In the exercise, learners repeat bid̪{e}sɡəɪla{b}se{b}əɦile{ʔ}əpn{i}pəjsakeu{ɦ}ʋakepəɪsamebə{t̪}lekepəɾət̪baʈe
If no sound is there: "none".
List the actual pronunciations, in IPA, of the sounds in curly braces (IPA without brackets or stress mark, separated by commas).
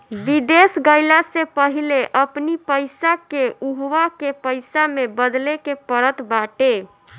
e, none, p, ʔ, i, ɦ, d̪